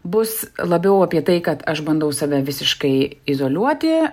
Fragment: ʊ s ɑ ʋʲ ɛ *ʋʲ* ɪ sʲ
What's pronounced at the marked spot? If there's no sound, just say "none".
ʋʲ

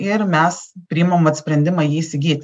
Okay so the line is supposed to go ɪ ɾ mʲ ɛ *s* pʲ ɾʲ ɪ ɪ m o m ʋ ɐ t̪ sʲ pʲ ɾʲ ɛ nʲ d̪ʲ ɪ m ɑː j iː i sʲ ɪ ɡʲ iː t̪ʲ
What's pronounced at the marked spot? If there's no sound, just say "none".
s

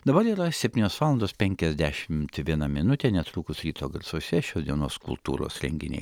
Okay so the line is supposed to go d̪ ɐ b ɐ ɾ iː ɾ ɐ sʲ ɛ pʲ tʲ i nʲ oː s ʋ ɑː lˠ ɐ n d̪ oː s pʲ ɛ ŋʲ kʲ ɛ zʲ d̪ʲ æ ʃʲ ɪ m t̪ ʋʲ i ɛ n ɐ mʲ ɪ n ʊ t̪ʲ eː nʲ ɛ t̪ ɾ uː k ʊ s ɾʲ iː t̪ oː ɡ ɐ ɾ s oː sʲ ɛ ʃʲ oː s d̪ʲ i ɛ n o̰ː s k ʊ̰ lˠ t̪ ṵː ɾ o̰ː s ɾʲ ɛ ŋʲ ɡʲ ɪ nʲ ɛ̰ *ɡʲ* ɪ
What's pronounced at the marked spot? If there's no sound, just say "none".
none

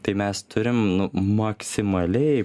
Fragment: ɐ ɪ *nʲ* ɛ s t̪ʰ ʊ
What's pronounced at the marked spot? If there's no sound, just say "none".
mʲ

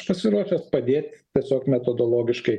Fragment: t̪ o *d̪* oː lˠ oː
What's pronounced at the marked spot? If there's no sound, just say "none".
d̪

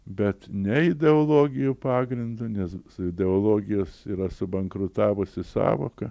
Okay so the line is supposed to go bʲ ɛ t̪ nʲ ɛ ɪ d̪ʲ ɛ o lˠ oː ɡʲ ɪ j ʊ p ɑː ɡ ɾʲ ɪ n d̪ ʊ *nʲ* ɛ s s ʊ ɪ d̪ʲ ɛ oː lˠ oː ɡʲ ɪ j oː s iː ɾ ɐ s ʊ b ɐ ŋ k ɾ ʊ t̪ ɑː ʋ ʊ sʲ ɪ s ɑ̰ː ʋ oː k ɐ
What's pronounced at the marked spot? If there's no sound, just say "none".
nʲ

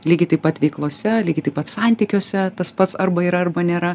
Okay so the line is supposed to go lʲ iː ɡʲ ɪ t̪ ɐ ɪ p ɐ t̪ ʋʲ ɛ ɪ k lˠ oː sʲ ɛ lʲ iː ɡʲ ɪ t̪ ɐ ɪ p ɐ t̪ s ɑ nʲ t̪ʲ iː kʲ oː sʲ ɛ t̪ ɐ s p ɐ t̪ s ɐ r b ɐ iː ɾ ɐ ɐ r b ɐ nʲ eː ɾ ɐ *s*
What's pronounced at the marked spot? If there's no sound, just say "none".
none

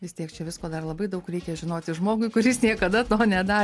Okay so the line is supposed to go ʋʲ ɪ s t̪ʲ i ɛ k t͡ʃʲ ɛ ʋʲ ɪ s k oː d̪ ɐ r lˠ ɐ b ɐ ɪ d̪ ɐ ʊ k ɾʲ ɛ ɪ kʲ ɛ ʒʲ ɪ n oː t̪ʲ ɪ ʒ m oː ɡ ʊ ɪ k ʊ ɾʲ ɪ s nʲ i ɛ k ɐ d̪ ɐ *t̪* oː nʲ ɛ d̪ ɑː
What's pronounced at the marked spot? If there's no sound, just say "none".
t̪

